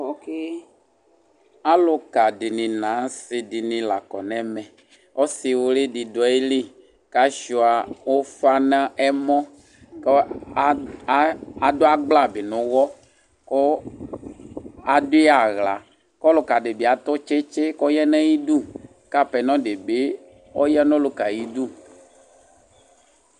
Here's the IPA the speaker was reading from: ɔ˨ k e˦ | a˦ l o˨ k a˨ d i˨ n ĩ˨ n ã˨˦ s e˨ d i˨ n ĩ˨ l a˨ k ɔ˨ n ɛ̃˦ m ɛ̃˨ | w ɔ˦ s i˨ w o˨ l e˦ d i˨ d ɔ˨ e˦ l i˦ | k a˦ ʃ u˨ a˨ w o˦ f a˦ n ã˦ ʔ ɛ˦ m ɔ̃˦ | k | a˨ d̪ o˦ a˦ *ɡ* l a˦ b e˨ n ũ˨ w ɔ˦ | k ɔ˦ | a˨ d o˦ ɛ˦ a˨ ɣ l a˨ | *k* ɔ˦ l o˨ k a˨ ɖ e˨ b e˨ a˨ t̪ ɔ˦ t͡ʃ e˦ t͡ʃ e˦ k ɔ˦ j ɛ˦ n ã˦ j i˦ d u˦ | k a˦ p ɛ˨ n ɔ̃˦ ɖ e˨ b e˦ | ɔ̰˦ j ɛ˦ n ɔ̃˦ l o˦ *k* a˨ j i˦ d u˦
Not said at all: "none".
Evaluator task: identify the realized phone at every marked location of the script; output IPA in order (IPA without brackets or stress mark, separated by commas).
ɡ͡b, k, k